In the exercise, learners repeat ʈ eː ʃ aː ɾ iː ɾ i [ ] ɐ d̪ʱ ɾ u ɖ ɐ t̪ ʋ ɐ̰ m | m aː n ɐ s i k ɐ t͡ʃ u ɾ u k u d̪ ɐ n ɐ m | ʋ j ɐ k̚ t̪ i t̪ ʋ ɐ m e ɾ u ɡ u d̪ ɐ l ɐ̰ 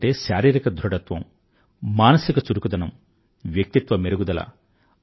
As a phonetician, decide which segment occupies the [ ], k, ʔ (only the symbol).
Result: k